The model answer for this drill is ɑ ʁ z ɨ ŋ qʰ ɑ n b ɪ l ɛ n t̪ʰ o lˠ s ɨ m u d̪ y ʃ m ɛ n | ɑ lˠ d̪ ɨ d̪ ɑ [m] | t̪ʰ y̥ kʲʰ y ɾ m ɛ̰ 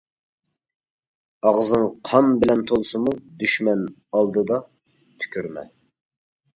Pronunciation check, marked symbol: incorrect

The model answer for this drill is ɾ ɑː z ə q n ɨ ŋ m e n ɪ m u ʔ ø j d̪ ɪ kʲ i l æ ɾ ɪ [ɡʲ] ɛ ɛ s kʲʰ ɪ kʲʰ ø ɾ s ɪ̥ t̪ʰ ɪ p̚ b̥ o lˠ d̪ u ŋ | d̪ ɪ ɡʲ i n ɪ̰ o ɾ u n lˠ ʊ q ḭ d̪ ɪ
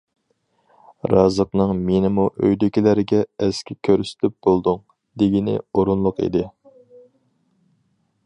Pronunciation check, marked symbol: correct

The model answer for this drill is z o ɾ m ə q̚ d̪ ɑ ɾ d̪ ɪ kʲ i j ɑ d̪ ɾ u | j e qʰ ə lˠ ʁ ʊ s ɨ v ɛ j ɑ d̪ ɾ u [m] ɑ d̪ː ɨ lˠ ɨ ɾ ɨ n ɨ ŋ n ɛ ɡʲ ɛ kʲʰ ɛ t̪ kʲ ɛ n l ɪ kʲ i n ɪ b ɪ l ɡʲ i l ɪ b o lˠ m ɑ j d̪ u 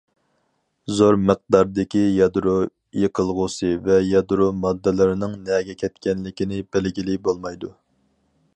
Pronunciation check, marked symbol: correct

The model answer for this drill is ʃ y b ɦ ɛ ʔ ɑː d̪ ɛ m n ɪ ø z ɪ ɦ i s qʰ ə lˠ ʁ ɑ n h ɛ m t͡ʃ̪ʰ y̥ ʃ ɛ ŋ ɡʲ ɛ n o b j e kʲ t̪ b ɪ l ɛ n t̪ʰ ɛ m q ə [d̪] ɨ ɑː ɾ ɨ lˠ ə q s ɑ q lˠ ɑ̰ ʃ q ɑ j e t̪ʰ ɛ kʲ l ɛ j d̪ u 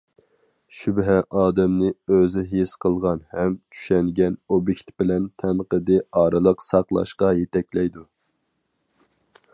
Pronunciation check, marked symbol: correct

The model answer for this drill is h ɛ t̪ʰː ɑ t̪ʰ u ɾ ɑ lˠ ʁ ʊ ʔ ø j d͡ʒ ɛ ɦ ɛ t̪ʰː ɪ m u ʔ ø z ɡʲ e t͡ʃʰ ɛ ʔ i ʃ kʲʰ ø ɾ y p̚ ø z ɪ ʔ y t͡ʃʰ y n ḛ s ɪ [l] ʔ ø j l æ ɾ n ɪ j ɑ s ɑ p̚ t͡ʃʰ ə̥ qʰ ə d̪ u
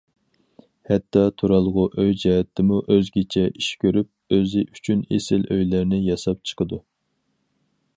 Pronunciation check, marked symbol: correct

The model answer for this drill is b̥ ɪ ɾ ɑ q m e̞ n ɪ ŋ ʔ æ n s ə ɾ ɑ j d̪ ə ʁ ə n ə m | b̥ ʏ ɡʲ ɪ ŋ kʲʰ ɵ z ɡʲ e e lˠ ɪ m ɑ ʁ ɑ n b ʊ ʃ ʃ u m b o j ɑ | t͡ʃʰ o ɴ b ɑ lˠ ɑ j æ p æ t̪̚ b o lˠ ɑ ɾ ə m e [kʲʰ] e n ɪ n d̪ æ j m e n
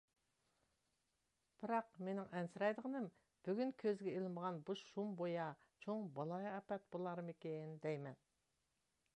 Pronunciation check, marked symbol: incorrect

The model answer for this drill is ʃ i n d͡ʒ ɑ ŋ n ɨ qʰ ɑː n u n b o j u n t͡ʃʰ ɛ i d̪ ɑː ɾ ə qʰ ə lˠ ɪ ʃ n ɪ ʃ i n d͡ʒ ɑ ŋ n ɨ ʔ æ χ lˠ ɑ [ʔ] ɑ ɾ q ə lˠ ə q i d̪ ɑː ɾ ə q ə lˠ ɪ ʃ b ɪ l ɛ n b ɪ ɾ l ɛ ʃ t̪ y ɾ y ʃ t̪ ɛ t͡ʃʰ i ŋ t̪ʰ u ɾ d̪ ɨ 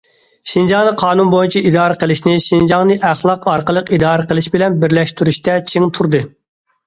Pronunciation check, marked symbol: incorrect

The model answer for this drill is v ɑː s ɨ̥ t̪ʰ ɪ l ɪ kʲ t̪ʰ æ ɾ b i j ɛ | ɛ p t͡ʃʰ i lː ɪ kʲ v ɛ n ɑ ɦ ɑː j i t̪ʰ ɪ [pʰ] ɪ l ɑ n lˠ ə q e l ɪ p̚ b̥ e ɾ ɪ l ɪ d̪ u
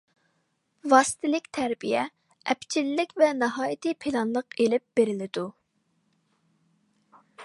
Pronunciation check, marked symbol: correct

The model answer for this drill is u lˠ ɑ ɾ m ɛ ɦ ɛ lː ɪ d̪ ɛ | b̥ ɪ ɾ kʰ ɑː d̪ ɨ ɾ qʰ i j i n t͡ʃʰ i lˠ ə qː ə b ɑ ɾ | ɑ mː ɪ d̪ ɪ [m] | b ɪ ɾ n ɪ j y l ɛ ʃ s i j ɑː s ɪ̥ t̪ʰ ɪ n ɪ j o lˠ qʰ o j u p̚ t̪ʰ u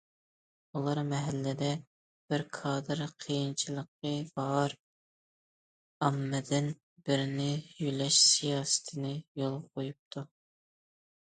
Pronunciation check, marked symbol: incorrect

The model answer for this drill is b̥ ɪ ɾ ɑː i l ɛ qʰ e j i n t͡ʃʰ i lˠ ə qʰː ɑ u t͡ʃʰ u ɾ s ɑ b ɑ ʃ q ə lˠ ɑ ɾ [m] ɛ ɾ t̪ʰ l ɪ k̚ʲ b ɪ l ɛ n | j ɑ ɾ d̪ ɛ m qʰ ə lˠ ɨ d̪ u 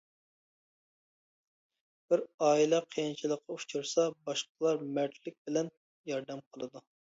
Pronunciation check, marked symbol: correct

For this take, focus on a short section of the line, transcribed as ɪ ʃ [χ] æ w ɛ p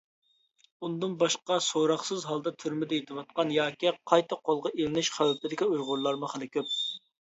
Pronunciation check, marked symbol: correct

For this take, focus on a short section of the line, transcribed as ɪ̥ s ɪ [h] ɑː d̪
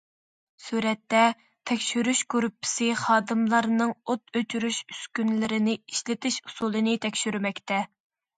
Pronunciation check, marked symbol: incorrect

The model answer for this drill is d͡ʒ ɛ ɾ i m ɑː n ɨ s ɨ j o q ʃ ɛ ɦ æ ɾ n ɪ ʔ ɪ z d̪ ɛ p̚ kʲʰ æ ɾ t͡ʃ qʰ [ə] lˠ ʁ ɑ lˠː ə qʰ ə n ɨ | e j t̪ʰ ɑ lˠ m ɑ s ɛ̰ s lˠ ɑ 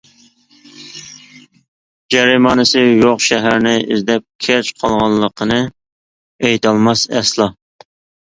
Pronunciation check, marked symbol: incorrect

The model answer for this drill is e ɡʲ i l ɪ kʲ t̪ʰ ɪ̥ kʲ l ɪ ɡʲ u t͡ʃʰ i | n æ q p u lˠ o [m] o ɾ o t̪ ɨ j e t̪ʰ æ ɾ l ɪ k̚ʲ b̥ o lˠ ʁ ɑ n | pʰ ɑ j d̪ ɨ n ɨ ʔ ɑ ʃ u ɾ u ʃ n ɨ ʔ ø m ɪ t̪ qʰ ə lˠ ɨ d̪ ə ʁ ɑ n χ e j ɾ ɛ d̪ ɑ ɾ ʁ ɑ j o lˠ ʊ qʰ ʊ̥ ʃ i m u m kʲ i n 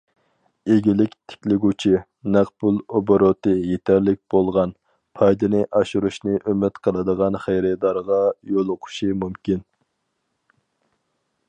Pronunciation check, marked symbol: incorrect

